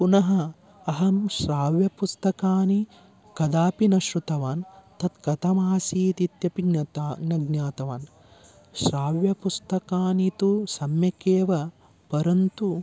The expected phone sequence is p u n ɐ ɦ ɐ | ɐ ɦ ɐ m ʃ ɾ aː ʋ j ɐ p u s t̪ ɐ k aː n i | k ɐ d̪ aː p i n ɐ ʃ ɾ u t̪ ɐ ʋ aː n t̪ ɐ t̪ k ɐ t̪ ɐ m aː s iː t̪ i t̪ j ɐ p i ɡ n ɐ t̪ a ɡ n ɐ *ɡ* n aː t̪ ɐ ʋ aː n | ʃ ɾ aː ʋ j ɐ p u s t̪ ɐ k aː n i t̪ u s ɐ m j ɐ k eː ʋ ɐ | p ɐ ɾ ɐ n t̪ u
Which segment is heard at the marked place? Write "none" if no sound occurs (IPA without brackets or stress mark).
ɡ